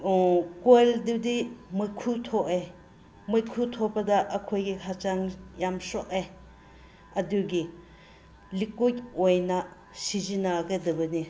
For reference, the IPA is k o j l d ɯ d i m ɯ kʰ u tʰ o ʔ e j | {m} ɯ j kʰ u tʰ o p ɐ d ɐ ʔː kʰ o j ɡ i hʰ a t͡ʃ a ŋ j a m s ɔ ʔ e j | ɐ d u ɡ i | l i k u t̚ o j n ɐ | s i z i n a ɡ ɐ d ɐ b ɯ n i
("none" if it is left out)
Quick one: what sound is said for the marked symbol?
m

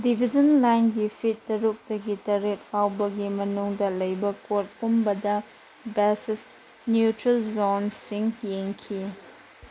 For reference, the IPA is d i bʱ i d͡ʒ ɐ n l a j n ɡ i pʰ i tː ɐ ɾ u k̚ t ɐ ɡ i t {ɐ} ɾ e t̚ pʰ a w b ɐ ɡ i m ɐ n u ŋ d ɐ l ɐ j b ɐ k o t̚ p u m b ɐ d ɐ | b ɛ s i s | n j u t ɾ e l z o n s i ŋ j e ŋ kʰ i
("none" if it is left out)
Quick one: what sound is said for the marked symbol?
ɐ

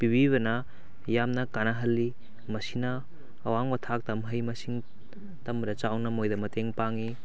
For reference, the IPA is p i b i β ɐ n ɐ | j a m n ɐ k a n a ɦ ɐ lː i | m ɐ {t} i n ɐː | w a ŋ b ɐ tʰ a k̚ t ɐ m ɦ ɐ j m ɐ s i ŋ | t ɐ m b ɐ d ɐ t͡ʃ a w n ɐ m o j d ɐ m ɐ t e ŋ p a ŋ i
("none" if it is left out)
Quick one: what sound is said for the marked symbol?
s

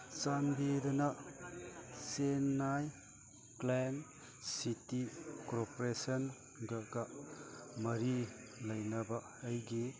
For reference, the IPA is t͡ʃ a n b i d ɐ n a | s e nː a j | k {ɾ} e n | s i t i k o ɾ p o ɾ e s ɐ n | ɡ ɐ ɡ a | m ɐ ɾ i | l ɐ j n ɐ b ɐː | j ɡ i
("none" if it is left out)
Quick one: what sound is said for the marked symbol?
l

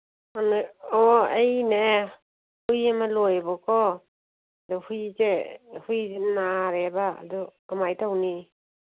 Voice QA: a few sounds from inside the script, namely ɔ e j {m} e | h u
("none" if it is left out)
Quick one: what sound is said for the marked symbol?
n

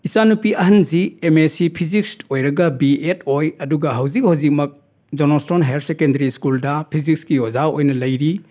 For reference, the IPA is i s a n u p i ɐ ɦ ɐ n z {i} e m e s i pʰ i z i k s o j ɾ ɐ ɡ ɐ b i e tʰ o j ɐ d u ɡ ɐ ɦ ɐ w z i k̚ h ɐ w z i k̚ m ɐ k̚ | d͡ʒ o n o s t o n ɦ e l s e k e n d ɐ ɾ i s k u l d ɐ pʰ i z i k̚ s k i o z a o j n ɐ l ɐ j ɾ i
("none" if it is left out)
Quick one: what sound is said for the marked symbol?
i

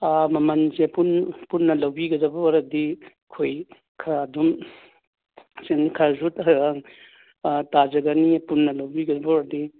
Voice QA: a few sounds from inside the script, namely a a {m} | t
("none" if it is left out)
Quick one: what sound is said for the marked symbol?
ŋ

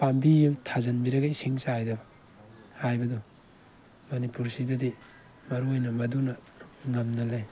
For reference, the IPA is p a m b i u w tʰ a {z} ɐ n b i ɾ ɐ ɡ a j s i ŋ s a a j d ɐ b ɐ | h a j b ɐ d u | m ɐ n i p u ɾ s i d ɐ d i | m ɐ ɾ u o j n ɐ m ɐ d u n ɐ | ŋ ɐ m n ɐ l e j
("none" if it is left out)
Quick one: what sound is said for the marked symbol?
z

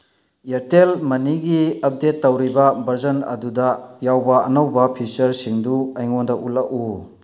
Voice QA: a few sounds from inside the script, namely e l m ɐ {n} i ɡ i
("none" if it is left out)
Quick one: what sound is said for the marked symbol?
n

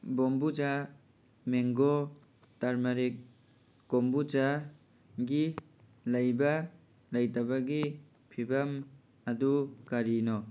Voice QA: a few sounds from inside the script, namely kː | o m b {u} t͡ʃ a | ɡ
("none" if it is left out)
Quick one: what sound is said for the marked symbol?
u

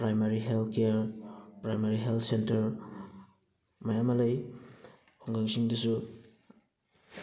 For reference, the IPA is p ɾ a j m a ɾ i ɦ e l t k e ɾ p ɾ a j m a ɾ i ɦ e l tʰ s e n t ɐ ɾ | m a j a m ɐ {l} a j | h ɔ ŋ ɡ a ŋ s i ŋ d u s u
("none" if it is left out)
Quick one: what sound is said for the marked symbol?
l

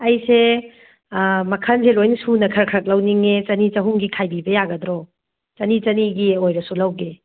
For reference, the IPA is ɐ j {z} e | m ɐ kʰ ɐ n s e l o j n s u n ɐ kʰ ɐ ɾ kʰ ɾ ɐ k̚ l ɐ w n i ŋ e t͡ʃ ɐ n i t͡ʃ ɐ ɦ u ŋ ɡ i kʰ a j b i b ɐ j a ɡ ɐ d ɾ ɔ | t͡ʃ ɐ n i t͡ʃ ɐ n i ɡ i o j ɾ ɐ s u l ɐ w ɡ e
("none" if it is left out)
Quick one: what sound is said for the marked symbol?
s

